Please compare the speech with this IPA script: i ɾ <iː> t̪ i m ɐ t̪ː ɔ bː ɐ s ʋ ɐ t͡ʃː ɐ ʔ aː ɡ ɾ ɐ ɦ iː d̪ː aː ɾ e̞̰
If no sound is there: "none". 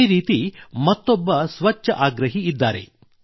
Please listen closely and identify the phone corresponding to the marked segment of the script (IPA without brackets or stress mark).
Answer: iː